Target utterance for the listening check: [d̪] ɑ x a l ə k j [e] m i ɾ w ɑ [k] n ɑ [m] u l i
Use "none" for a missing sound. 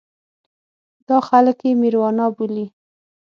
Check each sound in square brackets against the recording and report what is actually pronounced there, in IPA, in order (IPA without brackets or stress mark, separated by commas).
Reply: d̪, e, none, b